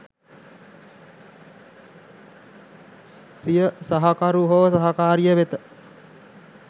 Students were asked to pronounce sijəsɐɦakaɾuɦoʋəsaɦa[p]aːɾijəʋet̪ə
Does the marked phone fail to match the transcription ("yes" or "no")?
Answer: yes